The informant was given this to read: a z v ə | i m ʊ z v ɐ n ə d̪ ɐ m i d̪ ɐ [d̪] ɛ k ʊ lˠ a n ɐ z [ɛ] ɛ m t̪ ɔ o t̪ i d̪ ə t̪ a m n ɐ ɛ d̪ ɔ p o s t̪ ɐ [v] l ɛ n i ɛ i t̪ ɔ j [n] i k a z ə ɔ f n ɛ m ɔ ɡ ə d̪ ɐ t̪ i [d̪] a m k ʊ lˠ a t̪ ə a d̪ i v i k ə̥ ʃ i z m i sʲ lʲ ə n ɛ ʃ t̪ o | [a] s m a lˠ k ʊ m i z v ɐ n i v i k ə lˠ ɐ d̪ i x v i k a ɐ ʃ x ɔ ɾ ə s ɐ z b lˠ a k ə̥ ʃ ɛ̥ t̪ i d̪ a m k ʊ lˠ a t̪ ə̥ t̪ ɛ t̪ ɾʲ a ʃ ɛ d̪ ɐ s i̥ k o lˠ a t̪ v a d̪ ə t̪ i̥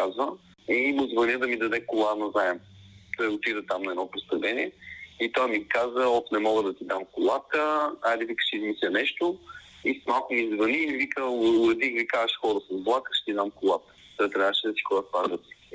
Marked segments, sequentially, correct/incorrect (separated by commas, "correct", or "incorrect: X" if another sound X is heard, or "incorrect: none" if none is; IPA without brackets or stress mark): correct, incorrect: a, correct, incorrect: m, correct, incorrect: i